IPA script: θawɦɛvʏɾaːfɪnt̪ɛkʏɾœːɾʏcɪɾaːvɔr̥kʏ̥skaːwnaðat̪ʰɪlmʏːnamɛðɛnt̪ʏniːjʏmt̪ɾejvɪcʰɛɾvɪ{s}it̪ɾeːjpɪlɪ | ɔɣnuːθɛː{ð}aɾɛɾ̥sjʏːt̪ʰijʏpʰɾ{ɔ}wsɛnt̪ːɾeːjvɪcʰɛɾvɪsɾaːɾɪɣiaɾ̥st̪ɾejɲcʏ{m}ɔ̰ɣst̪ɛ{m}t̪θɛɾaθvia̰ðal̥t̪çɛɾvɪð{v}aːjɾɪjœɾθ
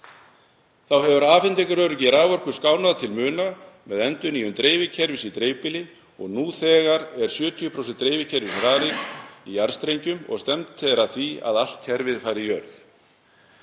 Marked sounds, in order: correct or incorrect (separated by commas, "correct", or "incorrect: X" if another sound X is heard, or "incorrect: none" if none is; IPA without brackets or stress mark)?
correct, incorrect: ɣ, incorrect: o, correct, correct, incorrect: f